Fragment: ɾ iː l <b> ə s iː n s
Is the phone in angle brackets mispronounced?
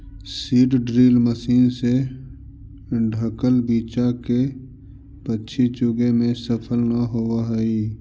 yes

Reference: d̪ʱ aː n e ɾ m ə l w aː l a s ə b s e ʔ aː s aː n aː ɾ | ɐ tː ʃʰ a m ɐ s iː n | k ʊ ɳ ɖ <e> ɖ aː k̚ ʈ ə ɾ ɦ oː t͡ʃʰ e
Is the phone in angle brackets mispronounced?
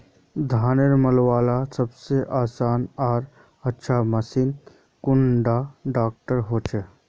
yes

